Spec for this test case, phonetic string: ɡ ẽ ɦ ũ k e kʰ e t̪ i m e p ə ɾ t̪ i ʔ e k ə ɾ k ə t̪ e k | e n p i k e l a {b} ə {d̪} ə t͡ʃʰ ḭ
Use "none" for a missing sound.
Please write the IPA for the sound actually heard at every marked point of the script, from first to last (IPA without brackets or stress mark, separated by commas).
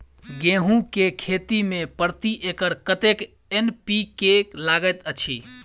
ɡ, t̪